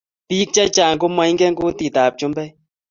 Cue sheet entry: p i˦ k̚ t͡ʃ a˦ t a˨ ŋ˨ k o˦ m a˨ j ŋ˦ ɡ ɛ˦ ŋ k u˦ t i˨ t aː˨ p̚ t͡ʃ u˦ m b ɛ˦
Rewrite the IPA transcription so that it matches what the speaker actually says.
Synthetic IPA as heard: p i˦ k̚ t͡ʃ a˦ t͡ʃ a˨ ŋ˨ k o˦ m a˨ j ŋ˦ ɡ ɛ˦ ŋ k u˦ t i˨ t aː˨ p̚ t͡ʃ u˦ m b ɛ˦